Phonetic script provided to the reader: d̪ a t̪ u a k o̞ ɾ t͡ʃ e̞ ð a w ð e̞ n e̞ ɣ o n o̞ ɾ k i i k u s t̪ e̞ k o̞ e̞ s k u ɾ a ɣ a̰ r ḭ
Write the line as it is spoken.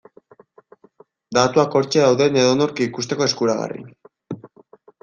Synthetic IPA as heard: d̪ a t̪ u a k o̞ ɾ t͡ʃ e̞ ð a w ð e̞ n e̞ ð o n o̞ ɾ k i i k u s t̪ e̞ k o̞ e̞ s k u ɾ a ɣ a̰ r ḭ